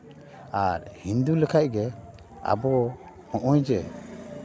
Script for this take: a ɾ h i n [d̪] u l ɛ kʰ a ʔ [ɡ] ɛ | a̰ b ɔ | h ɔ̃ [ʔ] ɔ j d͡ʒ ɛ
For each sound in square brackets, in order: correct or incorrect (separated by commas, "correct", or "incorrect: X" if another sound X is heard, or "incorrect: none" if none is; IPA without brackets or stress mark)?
correct, correct, correct